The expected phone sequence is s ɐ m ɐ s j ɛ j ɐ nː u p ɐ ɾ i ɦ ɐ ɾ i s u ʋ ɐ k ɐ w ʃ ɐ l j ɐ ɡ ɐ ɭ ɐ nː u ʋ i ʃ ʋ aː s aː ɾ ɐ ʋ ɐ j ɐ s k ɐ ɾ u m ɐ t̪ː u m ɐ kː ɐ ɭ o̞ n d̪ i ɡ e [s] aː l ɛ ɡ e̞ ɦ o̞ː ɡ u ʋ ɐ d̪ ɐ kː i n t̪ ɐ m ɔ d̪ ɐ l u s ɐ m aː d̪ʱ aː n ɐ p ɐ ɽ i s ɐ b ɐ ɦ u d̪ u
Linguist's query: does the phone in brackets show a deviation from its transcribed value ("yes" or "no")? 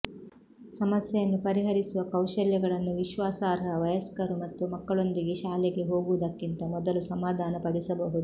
yes